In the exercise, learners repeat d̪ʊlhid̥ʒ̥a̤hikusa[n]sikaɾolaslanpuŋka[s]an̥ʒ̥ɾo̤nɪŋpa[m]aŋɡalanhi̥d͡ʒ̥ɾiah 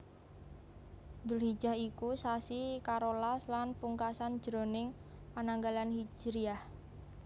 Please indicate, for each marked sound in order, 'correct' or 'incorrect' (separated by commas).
incorrect, correct, incorrect